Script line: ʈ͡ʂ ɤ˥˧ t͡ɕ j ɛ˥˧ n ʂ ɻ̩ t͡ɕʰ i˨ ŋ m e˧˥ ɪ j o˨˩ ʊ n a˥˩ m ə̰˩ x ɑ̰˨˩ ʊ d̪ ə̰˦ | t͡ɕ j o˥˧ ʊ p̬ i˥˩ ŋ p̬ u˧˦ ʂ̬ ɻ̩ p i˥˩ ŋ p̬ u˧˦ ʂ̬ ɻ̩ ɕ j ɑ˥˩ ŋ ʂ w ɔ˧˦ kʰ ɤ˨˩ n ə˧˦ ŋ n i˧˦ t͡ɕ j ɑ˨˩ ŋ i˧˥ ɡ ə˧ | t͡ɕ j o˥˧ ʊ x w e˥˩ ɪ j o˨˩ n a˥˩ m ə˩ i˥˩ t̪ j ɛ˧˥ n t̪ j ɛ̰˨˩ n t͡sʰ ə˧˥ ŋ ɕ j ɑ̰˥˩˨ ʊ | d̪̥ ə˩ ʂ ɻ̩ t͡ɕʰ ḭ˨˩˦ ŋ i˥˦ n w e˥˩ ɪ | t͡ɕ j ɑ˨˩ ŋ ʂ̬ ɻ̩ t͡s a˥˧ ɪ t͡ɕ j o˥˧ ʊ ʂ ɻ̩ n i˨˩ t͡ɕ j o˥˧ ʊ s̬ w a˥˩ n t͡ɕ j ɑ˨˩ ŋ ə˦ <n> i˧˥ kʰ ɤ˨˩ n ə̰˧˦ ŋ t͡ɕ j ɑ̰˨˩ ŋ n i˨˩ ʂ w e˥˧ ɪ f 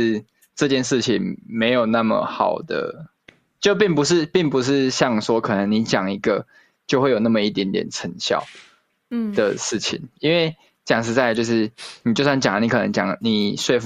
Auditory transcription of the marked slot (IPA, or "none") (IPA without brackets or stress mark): n